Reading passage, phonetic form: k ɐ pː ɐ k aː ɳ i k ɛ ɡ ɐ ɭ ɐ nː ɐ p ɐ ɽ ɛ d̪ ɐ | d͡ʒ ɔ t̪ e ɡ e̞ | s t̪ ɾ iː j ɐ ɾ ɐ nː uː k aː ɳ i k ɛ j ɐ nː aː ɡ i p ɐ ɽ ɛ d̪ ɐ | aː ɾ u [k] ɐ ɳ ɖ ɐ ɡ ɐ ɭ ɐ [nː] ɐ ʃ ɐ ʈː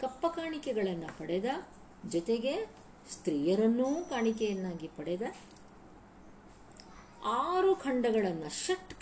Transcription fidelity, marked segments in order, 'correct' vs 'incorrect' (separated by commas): incorrect, correct